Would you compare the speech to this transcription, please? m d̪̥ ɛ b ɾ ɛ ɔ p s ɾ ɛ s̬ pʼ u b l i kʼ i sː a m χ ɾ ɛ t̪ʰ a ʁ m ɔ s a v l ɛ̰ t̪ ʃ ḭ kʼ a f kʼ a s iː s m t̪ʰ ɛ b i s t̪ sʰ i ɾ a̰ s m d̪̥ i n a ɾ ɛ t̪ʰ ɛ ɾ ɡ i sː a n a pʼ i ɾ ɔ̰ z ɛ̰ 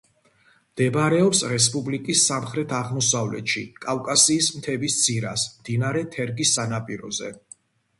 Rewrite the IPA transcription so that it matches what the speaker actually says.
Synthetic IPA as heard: m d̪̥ ɛ b ɾ ɛ ɔ p s ɾ ɛ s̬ pʼ u b l i kʼ i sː a m χ ɾ ɛ t̪ʰ a ʁ m ɔ s a v l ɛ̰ t̪ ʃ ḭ kʼ a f kʼ a s iː s m t̪ʰ ɛ b i s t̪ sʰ i ɾ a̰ s m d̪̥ i n a ɾ ɛ t̪ʰ ɛ ɾ ɡ i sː a n a pʼ i ɾ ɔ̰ z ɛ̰